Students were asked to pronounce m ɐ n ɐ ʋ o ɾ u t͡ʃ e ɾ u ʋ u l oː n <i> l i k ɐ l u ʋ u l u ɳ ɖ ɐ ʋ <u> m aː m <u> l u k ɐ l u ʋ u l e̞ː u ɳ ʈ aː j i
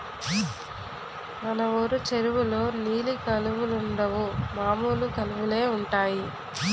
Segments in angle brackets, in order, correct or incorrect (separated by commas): incorrect, correct, incorrect